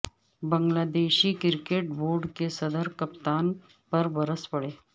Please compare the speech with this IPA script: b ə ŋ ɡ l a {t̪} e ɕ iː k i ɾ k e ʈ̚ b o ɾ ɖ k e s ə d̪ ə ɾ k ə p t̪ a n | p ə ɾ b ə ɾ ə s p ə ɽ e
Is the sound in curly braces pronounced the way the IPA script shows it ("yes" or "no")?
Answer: no